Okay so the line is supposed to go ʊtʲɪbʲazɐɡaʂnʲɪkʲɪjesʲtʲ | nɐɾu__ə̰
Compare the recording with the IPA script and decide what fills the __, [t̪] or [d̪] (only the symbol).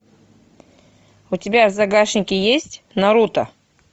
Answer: t̪